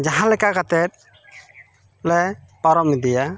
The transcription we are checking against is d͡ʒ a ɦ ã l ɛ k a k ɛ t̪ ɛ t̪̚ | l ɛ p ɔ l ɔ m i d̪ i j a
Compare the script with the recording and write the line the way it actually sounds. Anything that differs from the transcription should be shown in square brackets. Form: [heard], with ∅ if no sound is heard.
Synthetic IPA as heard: d͡ʒ a ɦ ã l ɛ k a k [a] t̪ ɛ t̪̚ | l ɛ p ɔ [ɾ] ɔ m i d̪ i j a